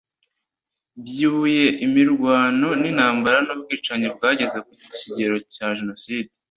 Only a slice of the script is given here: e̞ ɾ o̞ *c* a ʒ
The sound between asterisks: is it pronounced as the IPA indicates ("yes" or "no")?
yes